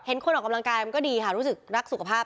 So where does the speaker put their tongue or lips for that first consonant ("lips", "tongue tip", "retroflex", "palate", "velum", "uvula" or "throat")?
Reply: throat